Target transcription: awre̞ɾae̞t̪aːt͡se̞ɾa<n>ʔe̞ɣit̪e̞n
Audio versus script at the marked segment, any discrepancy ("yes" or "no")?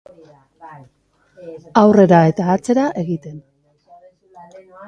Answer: yes